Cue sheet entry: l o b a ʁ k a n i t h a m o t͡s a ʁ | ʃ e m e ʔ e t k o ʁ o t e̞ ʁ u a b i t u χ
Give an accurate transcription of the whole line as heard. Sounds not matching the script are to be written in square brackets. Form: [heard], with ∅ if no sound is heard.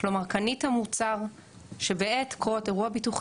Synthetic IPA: l o [m] a ʁ k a n i t h a m [u] t͡s a ʁ | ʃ e [b] e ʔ e t k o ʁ o t e̞ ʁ u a b i t u χ

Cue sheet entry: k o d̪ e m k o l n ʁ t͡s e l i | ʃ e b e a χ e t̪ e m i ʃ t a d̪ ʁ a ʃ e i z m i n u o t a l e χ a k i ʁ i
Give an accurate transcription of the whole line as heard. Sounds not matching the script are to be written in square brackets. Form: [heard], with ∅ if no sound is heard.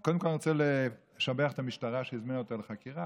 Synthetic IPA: k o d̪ e m k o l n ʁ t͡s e l [e] | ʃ [a] b e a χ e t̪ [a] m i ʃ t a [∅] ʁ a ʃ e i z m i n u o t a l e χ a k i ʁ [a]

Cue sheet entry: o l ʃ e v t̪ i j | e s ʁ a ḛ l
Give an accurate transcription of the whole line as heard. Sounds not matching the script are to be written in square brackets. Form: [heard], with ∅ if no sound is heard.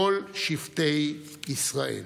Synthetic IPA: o l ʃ [i] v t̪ [e] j | [i] s ʁ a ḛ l

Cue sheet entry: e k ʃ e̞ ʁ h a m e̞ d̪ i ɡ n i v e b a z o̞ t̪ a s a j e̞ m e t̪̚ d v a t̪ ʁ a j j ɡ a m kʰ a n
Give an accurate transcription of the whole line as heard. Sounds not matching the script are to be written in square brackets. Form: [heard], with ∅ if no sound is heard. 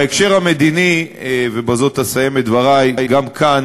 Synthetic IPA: e k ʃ e̞ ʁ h a m e̞ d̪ i [∅] n i v e b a z o̞ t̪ a s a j e̞ m e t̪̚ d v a [∅] ʁ a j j ɡ a m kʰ a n

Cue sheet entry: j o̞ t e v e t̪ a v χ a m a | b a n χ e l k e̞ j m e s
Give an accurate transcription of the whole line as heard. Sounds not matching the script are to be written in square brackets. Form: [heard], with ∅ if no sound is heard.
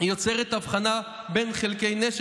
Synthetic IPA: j o̞ [t͡s] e [ʁ] e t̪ a v χ a [n] a | b [e] n χ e l k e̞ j [n] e [ʃ]

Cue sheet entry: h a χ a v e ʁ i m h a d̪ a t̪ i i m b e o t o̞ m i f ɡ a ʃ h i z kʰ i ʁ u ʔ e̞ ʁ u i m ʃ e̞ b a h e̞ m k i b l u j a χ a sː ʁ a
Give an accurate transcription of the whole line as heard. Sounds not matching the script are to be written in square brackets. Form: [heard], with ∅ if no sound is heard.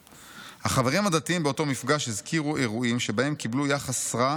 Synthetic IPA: h a χ a v e ʁ i m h a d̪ a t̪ i i m b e o t o̞ m i f ɡ a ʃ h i z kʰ i ʁ u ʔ e̞ ʁ u i m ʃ e̞ b a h e̞ m k i b l u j a χ a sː ʁ a

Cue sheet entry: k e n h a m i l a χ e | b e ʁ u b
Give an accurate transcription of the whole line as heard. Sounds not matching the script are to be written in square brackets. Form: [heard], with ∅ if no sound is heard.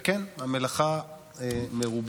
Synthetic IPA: k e n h a m [e] l a χ [a] | [m] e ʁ u b

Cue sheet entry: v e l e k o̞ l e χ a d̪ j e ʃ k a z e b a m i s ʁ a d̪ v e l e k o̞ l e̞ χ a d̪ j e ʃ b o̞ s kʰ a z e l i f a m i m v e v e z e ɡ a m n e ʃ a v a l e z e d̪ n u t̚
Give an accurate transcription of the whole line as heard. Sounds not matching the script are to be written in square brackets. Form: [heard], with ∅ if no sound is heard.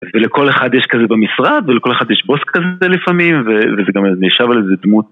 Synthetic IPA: v e l e k o̞ l e χ a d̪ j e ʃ k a z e b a m i s ʁ a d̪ v e l e k o̞ l e̞ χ a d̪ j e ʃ b o̞ s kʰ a z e l i f a m i m v e v e z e ɡ a m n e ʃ a v a l e z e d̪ [m] u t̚

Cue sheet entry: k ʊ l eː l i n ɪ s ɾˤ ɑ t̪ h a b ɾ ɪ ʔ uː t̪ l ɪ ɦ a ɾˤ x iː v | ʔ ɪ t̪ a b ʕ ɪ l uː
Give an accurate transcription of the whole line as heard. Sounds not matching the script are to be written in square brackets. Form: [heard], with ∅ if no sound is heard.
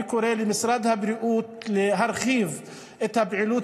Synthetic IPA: k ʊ [ɾ] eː l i [m] ɪ s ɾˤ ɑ [d̪] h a b ɾ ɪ ʔ uː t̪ l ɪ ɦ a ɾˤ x iː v | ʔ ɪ t̪ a b ʕ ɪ l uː

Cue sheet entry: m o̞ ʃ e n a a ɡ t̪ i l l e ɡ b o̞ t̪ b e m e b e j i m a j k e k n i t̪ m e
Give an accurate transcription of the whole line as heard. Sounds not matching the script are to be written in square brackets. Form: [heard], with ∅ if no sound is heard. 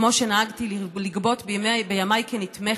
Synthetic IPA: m o̞ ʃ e n a a ɡ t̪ i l l [i] ɡ b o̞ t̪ b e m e b e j [a] m a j k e [∅] n i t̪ m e

